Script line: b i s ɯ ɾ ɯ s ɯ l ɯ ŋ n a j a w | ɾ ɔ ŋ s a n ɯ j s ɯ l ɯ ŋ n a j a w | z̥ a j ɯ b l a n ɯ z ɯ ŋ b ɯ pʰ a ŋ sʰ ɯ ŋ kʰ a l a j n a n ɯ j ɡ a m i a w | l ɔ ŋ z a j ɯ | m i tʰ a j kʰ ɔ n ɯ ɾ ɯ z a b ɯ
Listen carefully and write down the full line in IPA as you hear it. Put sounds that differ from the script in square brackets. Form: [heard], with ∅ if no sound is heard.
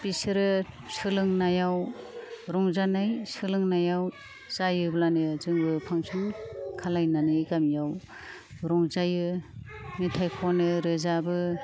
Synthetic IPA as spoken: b i s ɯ ɾ ɯ s ɯ l ɯ ŋ n a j a w | ɾ ɔ ŋ [z] a n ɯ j s ɯ l ɯ ŋ n a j a w | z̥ a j ɯ b l a n ɯ z ɯ ŋ b ɯ pʰ a ŋ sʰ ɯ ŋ kʰ a l a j n a n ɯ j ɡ a m [j] a w | [ɾ] ɔ ŋ z a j ɯ | m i tʰ a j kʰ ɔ n ɯ ɾ ɯ z a b ɯ